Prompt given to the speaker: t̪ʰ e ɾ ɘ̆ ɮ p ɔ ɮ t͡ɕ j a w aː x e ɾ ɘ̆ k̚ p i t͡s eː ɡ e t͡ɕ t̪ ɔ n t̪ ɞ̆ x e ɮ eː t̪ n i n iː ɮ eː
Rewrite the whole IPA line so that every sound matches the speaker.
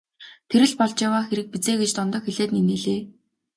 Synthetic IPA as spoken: t̪ʰ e ɾ ɘ̆ ɮ p ɔ ɮ t͡ɕ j a w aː x e ɾ ɘ̆ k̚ p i t͡s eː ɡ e t͡ɕ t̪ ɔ n t̪ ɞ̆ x e ɮ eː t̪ n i n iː ɮ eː